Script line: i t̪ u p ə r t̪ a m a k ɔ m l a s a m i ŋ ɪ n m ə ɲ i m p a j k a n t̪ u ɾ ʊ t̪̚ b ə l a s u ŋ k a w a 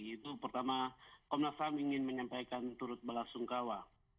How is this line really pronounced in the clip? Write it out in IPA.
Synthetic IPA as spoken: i t̪ u p ə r t̪ a m a k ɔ m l a s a m i ŋ ɪ n m ə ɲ a m p a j k a n t̪ u ɾ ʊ t̪̚ b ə l a s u ŋ k a w a